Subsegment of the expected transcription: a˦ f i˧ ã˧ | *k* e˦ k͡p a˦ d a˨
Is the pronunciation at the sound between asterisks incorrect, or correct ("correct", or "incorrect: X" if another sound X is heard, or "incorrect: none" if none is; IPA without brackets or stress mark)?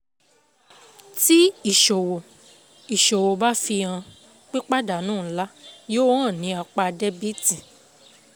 incorrect: k͡p